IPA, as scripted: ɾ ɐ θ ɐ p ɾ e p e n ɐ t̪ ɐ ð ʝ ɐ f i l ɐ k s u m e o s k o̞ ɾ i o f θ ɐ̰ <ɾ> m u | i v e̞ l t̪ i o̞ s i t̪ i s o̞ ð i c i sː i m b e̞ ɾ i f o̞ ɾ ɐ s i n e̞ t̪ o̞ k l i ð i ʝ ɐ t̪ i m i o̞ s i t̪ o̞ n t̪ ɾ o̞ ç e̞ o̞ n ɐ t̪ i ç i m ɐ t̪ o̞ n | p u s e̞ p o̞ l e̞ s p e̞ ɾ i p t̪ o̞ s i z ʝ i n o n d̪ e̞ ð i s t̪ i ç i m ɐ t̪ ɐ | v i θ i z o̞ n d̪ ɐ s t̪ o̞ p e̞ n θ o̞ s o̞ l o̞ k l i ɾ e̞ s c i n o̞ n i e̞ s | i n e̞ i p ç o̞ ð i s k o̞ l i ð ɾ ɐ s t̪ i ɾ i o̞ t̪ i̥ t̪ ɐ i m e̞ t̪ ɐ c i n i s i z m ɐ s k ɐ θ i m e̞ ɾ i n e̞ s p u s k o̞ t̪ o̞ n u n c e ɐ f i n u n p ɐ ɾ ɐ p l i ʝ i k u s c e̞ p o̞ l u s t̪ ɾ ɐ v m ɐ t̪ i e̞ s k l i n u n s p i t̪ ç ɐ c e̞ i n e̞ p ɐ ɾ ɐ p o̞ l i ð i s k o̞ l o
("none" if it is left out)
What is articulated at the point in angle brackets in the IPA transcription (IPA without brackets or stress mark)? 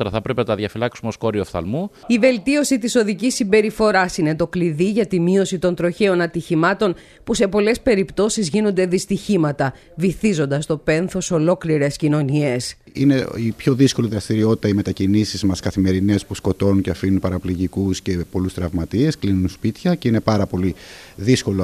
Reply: l